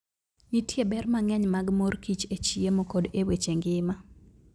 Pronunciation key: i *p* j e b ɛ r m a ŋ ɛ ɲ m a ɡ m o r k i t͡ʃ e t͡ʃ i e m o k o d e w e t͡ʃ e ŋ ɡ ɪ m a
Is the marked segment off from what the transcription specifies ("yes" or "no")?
yes